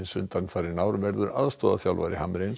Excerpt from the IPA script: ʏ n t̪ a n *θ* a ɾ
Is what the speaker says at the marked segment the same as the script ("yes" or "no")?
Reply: no